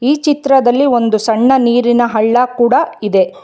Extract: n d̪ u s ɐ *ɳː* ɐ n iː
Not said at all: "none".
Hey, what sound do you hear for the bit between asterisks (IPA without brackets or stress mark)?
ɳː